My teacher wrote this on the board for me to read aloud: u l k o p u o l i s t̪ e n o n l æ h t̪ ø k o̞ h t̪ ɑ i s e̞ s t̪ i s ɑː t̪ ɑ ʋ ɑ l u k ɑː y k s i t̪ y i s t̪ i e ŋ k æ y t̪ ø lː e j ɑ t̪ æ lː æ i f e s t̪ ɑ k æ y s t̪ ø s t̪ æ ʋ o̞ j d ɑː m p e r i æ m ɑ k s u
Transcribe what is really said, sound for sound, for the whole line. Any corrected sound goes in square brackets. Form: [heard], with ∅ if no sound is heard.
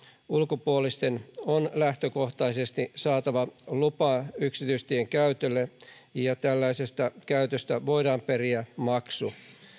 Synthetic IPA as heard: u l k o p u o l i s t̪ e n o n l æ h t̪ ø k o̞ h t̪ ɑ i s e̞ s t̪ i s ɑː t̪ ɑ ʋ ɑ l u [p] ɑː y k s i t̪ y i s t̪ i e ŋ k æ y t̪ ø lː e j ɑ t̪ æ lː æ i [s] e s t̪ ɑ k æ y [∅] t̪ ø s t̪ æ ʋ o̞ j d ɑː m p e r i æ m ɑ k s u